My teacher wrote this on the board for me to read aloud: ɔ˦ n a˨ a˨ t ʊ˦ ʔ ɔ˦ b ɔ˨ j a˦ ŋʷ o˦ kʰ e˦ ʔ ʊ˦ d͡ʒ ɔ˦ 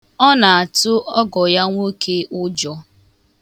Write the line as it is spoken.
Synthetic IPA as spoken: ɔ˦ n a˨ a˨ t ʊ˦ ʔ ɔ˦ ɡ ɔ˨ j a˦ ŋʷ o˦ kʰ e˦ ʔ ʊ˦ d͡ʒ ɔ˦